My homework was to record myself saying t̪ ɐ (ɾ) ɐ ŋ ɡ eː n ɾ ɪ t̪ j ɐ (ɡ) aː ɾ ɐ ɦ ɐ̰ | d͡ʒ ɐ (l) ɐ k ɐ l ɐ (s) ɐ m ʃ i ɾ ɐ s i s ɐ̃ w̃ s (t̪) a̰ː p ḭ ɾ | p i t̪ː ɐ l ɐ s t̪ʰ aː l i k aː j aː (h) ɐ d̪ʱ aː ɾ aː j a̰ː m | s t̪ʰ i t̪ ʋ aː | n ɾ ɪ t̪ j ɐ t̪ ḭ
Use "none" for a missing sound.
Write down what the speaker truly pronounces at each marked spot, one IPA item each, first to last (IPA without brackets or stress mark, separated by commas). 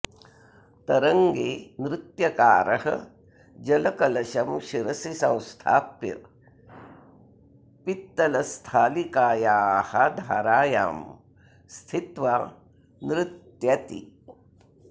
ɾ, k, l, ʃ, t̪ʰ, h